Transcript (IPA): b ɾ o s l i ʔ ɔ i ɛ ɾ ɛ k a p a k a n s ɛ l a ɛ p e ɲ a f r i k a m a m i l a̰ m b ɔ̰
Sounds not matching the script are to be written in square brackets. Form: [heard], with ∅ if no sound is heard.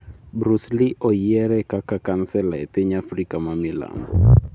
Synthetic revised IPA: b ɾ [u] s l i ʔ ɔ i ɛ ɾ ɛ k a [k] a k a n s ɛ l a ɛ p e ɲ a f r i k a m a m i l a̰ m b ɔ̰